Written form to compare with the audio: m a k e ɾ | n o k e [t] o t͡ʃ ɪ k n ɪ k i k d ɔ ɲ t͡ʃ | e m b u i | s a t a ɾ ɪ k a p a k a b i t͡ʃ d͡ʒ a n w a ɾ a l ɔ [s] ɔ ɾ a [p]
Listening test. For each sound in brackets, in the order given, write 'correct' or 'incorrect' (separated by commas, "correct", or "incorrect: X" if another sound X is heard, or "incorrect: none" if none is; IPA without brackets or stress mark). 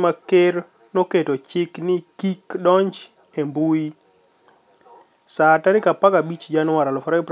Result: correct, incorrect: f, correct